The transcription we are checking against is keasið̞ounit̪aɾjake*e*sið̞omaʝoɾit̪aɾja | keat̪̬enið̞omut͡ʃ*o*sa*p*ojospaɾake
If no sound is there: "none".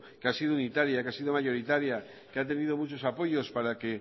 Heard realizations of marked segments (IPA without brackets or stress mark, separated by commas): a, o, p